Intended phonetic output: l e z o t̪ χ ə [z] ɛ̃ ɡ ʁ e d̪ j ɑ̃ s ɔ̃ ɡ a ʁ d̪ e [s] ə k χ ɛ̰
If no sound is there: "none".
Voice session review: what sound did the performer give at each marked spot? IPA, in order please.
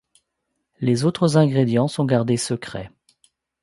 z, s

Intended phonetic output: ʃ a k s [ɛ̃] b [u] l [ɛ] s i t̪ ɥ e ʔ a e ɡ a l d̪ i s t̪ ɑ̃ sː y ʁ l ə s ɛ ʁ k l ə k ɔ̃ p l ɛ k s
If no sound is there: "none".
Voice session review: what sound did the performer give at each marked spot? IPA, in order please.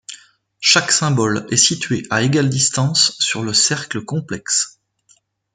ɛ̃, ɔ, ɛ

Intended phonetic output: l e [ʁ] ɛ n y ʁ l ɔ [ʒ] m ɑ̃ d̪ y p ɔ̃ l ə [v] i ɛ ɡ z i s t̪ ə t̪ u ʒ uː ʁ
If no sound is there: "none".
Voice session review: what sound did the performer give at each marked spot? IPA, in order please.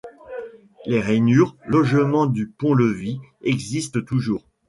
ʁ, ʒ, v

